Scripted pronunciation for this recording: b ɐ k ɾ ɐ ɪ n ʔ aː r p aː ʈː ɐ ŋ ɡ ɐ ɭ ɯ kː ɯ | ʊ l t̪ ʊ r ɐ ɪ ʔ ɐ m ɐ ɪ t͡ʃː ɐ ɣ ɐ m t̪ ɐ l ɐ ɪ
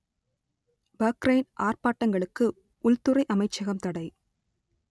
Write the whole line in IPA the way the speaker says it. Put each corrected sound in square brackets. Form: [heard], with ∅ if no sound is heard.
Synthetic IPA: b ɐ k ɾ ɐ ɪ n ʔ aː r p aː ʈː ɐ ŋ ɡ ɐ ɭ ɯ kː ɯ | ʊ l t̪ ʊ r ɐ ɪ ʔ ɐ m ɐ ɪ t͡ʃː ɐ ɣ ɐ m t̪ ɐ [ɽ] ɐ ɪ